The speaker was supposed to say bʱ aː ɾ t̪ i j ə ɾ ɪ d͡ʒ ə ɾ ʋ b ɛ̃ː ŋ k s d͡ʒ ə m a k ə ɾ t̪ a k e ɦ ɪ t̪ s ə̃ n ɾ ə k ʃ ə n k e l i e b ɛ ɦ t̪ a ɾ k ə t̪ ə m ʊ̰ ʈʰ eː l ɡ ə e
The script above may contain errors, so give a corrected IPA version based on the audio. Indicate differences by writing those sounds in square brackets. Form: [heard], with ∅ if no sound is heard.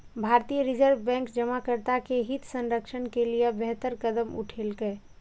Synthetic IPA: bʱ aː ɾ t̪ i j ə ɾ ɪ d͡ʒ ə ɾ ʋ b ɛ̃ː ŋ k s d͡ʒ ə m a k ə ɾ t̪ a k e ɦ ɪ t̪ s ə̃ n ɾ ə k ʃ ə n k e l i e b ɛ ɦ t̪ [ə] ɾ k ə [d̪] ə m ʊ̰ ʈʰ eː l ɡ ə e